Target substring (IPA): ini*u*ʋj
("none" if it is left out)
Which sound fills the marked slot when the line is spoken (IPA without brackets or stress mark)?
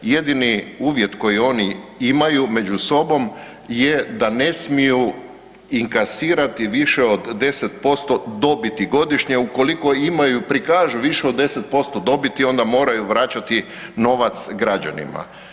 uː